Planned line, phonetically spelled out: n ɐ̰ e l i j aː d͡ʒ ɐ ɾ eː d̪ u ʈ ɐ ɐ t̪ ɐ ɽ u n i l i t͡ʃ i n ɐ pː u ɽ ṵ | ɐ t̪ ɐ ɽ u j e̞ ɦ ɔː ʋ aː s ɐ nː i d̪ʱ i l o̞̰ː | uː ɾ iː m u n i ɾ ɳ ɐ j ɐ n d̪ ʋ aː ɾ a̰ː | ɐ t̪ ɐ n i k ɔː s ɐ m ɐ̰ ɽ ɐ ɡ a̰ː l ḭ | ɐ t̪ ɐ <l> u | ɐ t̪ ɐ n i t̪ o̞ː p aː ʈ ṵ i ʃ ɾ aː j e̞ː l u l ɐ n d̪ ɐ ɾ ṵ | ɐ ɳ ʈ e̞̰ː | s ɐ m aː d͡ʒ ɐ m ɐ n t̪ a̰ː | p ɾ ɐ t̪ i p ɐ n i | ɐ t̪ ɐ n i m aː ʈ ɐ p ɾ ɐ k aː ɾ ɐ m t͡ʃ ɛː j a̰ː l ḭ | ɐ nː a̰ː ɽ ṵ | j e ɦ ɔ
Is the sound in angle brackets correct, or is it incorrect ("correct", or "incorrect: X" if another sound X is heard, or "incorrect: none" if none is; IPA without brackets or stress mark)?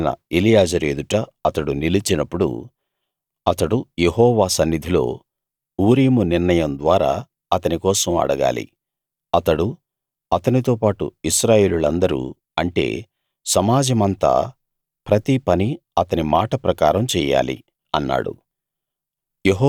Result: incorrect: ɽ